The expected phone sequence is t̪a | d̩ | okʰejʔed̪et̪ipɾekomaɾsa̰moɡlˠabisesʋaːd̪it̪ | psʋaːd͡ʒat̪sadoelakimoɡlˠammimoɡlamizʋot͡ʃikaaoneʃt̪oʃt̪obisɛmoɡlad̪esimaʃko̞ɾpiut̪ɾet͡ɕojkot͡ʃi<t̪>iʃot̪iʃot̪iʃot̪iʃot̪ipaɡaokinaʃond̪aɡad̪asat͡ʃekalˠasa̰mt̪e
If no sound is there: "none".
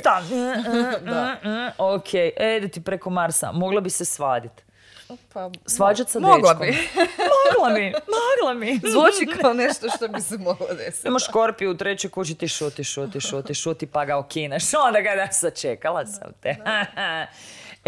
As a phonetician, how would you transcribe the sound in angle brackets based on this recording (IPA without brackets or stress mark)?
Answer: t̪